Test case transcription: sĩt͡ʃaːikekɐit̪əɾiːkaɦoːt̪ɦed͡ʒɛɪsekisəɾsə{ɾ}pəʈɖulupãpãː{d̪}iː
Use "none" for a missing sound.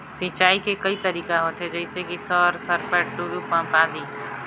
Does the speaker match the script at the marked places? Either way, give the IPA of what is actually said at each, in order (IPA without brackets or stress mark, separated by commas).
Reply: ɾ, d̪